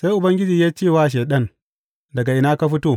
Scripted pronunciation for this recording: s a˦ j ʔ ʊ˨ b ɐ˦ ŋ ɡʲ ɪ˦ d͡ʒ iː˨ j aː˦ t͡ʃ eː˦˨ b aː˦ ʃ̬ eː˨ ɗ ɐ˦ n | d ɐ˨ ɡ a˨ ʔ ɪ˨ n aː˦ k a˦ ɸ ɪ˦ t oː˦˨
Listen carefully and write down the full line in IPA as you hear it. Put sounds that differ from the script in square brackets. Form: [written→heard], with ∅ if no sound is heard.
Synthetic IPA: s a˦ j ʔ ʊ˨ b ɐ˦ ŋ ɡʲ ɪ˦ d͡ʒ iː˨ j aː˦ t͡ʃ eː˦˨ [b→w] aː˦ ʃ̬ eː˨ ɗ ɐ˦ n | d ɐ˨ ɡ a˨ ʔ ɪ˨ n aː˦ k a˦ ɸ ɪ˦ t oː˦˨